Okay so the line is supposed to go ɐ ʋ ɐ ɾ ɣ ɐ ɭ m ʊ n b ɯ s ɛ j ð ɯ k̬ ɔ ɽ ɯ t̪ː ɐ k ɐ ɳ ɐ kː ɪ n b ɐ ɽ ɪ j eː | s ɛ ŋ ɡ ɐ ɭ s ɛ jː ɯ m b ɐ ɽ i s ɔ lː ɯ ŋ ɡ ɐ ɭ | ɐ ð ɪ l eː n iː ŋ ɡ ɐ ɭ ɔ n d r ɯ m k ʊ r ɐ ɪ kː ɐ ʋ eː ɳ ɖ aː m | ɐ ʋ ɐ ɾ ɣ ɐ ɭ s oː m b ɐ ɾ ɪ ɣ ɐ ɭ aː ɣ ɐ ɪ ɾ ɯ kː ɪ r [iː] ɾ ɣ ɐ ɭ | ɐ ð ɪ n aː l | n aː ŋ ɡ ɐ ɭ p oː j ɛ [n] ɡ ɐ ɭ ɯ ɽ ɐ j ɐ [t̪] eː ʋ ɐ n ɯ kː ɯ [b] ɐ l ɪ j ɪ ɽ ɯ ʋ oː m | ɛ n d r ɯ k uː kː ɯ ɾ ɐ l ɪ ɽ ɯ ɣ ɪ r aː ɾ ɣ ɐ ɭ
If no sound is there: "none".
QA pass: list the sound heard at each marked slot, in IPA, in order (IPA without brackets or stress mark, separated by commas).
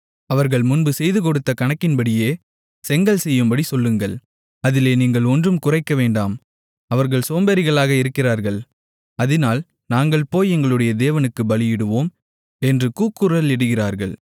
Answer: aː, ŋ, d̪, b